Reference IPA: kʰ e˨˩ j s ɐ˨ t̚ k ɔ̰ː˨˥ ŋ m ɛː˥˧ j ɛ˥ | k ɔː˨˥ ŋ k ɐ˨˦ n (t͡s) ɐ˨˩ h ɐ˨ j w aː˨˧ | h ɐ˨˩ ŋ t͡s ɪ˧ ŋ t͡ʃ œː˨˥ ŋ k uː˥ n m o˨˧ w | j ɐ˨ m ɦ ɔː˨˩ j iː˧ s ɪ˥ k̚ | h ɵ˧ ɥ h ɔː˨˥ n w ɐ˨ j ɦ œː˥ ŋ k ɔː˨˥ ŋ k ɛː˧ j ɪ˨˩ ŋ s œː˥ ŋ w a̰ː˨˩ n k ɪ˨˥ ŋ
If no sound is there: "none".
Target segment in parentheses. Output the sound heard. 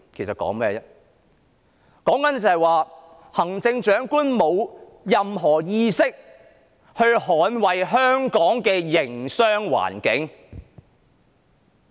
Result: t͡s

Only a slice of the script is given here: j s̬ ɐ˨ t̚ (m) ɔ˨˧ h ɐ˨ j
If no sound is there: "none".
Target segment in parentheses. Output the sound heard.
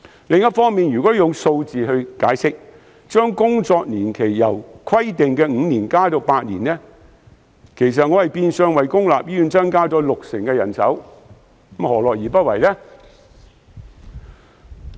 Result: ŋ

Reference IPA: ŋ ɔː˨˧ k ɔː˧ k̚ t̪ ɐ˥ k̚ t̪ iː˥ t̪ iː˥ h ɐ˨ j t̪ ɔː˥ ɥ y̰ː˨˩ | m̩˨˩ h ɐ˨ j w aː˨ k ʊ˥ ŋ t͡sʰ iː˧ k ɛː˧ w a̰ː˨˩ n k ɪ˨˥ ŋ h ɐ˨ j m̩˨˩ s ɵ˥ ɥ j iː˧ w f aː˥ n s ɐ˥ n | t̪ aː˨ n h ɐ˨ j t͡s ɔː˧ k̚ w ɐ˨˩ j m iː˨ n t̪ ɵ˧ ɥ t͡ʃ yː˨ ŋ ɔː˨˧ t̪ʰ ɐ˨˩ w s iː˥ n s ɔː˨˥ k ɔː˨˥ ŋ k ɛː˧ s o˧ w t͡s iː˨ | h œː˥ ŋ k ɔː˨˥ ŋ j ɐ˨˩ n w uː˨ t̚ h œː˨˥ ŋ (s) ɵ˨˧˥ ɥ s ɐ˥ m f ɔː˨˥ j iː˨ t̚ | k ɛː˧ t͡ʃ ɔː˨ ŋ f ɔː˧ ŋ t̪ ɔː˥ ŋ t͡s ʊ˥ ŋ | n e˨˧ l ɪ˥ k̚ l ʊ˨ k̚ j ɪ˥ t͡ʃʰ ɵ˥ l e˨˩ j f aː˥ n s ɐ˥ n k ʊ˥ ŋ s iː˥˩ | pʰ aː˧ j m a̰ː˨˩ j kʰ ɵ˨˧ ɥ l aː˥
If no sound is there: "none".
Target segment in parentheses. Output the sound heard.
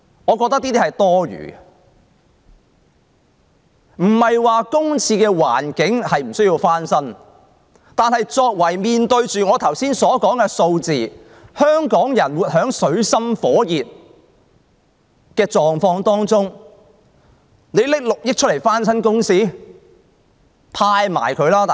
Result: s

